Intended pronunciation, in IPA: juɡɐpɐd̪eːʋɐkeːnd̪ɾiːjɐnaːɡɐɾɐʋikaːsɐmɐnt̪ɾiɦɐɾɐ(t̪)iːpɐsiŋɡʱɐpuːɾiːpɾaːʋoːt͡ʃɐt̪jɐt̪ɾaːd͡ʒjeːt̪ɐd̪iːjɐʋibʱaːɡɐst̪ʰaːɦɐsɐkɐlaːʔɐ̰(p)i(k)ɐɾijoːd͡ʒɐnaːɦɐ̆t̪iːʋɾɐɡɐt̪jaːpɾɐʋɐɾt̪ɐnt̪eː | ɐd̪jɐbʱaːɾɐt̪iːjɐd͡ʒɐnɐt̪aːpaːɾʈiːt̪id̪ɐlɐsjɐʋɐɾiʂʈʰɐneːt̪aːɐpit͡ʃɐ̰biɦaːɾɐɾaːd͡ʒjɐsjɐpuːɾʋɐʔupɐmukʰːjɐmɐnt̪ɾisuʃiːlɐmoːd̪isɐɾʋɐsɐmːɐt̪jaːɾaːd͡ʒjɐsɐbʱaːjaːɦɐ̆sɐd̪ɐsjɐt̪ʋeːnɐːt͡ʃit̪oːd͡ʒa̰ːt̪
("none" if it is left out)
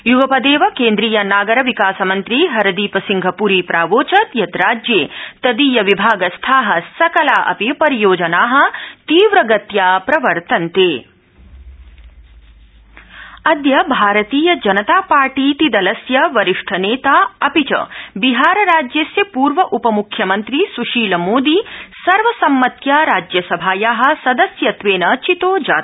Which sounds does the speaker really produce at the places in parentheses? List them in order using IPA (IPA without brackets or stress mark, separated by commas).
d̪, p, p